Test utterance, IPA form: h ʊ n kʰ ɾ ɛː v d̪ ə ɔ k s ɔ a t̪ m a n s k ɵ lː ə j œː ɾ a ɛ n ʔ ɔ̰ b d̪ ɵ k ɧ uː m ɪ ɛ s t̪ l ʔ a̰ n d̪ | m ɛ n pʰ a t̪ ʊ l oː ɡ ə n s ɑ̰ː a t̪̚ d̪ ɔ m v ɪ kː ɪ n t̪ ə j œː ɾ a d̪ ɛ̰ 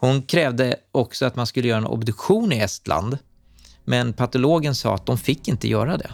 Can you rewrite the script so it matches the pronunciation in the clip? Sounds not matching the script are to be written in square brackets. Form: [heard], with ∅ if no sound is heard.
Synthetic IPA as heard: h ʊ n kʰ ɾ ɛː v d̪ ə ɔ k s ɔ a t̪ m a n s k ɵ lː ə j œː ɾ a ɛ n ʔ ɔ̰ b d̪ ɵ k ɧ uː [n] ɪ ɛ s t̪ l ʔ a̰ n d̪ | m ɛ n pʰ a t̪ ʊ l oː ɡ ə n s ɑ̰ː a t̪̚ d̪ ɔ m [f] ɪ kː ɪ n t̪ ə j œː ɾ a d̪ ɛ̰